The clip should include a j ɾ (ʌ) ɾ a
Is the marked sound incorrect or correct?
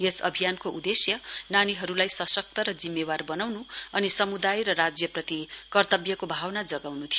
correct